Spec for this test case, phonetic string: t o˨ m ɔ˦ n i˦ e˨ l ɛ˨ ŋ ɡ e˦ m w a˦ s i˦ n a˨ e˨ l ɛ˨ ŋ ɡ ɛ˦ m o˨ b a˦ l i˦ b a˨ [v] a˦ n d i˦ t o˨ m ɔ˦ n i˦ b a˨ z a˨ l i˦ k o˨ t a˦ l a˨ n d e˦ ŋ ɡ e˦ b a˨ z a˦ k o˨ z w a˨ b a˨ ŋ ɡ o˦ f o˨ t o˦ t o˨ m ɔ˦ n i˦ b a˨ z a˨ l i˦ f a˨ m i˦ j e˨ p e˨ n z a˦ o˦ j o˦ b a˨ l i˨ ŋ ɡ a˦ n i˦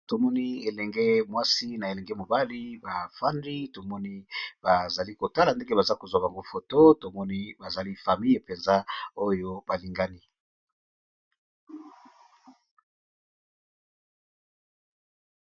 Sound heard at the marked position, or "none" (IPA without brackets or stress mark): f